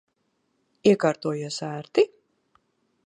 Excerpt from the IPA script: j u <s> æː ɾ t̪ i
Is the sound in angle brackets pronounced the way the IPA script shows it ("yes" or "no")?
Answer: yes